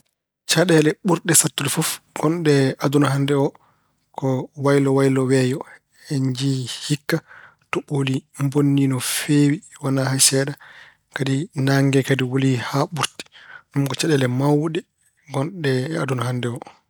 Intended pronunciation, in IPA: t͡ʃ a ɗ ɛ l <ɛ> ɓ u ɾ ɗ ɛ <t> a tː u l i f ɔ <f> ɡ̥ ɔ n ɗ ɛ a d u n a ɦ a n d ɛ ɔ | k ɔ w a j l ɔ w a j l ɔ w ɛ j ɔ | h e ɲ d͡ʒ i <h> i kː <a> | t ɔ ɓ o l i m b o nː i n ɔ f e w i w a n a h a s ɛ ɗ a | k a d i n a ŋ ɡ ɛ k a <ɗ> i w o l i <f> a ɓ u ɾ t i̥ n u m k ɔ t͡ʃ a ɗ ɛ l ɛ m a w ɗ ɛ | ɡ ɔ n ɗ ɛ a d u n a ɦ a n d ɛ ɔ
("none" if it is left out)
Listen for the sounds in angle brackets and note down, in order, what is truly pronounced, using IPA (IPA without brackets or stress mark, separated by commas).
ɛ, s, f, h, a, d, h